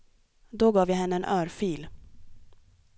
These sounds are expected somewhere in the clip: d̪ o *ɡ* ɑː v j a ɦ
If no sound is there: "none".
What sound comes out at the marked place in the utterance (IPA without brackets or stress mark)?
ɡ